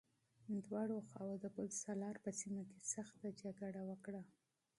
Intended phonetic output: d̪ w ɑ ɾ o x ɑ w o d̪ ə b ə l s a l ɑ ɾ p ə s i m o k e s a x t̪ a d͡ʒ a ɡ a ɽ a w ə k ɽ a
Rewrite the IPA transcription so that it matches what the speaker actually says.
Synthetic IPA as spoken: d̪ w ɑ ɽ o x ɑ w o d̪ ə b ə l s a l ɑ ɾ p ə s i m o k e s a x t̪ a d͡ʒ a ɡ a ɽ a w ə k ɽ a